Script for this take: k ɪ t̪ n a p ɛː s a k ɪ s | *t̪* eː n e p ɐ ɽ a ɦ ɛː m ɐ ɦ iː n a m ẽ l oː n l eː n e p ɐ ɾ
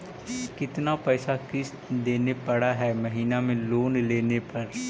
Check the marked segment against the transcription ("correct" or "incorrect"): incorrect